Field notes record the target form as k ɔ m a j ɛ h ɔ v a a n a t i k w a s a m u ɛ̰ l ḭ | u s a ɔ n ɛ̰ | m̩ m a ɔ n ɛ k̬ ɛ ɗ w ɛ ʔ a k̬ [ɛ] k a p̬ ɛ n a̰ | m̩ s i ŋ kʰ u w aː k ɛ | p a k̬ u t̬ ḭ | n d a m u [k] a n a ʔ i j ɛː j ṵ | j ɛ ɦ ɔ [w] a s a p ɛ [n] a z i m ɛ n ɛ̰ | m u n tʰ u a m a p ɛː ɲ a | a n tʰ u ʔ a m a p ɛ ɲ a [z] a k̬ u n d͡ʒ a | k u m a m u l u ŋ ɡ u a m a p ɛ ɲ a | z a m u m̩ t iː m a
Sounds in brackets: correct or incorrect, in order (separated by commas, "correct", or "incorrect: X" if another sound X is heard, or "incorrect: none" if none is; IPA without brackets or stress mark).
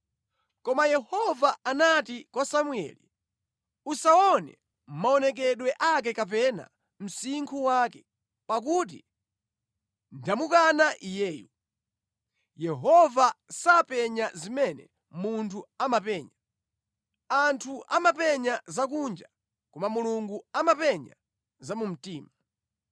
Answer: correct, correct, incorrect: v, incorrect: ɲ, correct